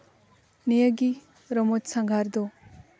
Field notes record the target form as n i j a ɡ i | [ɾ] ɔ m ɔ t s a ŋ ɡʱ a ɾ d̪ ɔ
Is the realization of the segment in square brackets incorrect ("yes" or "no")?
no